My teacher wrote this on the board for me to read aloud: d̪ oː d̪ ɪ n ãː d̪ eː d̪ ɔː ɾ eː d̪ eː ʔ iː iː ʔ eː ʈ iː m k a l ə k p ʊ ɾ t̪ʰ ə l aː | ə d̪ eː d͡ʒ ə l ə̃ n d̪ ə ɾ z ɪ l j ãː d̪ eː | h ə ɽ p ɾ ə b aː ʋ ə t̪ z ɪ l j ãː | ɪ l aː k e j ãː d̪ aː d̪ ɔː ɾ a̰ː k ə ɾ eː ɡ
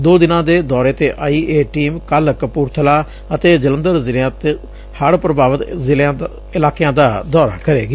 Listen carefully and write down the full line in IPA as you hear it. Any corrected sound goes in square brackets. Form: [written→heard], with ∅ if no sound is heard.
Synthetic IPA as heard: d̪ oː d̪ ɪ n ãː d̪ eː d̪ ɔː ɾ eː [d̪→t̪] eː ʔ [iː→aː] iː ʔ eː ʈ iː m k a l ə k p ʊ ɾ t̪ʰ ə l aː | ə [d̪→t̪] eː d͡ʒ ə l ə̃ n d̪ ə ɾ z ɪ l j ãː [d̪→t̪] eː | h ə ɽ p ɾ ə b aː ʋ ə t̪ z ɪ l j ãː | ɪ l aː k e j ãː d̪ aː d̪ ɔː ɾ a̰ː k ə ɾ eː ɡ